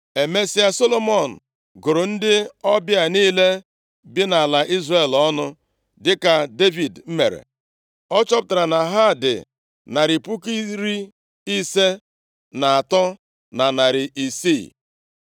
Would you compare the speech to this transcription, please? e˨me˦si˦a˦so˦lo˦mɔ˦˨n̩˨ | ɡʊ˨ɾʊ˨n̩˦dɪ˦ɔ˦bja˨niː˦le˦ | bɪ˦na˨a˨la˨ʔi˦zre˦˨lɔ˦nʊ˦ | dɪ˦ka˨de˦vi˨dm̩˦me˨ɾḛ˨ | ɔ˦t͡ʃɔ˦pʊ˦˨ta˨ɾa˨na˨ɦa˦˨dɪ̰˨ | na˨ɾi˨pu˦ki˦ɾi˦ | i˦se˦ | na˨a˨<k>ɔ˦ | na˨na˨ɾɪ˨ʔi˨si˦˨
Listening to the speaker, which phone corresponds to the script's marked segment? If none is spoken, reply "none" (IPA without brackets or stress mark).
t